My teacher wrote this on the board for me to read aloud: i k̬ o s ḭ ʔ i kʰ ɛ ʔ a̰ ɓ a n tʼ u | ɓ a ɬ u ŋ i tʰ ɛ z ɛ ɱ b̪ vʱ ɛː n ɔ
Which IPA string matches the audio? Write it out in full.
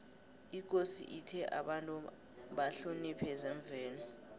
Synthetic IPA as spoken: i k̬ o s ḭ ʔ i tʰ ɛ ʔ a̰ ɓ a n tʼ u | ɓ a ɬ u n i pʰ ɛ z ɛ ɱ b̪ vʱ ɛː n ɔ